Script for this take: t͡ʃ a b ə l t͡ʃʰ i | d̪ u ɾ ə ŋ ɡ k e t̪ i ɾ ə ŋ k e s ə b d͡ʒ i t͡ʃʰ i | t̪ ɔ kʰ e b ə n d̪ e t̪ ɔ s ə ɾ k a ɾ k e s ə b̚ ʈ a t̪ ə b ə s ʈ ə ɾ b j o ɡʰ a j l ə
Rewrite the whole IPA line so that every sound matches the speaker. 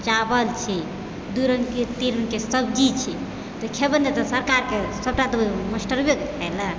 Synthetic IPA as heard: t͡ʃ a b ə l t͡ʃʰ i | d̪ u ɾ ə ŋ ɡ k e t̪ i ɾ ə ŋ k e s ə b d͡ʒ i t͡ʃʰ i | t̪ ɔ kʰ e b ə n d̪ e t̪ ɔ s ə ɾ k a ɾ k e s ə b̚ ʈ a t̪ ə m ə s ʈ ə ɾ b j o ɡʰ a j l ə